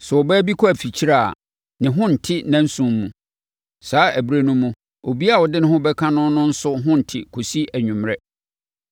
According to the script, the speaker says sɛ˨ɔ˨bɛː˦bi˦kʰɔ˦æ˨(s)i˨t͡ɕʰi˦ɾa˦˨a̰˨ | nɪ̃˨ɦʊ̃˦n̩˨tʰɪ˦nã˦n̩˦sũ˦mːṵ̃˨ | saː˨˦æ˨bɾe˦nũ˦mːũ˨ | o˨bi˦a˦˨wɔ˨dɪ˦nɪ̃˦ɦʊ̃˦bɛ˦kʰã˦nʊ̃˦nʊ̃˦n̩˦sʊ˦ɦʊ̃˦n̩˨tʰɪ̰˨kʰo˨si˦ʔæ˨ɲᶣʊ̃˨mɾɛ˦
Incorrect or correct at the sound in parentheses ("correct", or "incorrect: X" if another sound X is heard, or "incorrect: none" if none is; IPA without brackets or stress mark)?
incorrect: f